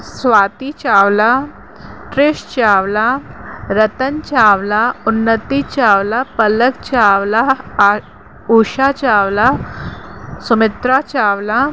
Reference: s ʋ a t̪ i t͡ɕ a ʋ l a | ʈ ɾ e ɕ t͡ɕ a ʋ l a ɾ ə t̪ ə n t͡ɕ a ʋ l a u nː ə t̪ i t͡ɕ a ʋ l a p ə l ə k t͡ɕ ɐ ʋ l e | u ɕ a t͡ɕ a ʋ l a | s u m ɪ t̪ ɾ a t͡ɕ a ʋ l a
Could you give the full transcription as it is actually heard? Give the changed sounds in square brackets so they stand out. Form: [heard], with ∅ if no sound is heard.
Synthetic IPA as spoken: s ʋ a t̪ i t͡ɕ a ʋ l a | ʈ ɾ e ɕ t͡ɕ a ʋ l a ɾ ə t̪ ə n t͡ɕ a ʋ l a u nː ə t̪ i t͡ɕ a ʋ l a p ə l ə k t͡ɕ [a] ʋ l [a] | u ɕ a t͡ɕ a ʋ l a | s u m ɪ t̪ ɾ a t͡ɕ a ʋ l a